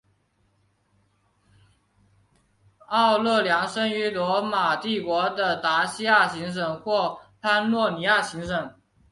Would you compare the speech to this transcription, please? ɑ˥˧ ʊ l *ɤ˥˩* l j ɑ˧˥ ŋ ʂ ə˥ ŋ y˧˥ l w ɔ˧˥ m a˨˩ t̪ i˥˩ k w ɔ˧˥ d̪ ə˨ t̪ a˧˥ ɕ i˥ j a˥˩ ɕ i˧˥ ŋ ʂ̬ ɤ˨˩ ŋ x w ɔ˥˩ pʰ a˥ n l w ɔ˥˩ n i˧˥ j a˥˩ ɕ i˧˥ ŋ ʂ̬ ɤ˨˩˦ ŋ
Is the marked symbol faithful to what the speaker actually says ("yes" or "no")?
yes